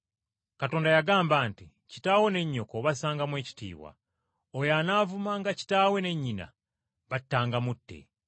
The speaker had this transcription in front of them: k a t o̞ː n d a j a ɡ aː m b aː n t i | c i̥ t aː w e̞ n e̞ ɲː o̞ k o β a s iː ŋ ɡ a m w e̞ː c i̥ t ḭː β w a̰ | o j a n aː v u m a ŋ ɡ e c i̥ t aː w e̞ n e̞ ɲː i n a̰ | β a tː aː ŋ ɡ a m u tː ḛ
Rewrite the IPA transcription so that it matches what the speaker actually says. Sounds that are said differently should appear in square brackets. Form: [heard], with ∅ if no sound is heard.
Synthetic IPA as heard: k a t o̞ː n d a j a ɡ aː m b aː n t i | c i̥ t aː w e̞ n e̞ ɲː o̞ k o β a s [aː] ŋ ɡ a m w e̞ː c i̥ t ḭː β w a̰ | o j a n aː v u m a ŋ ɡ [a] c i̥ t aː w e̞ n e̞ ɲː i n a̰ | β a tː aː ŋ ɡ a m u tː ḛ